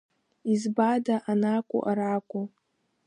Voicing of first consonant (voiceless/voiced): voiced